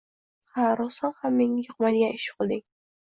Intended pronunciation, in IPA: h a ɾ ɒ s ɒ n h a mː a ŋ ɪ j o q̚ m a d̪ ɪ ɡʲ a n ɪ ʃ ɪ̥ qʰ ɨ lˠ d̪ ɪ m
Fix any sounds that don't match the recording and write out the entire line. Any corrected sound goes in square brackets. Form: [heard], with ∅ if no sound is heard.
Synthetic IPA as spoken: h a ɾ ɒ s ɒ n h a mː [e] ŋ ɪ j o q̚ m a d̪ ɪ ɡʲ a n ɪ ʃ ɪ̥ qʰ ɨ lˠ d̪ ɪ [ŋ]